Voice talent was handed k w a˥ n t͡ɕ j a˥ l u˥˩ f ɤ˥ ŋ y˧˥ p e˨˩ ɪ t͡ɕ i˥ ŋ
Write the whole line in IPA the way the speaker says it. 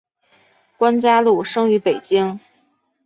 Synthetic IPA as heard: k w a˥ n t͡ɕ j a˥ l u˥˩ ʂ ɤ˥ ŋ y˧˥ p e˨˩ ɪ t͡ɕ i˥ ŋ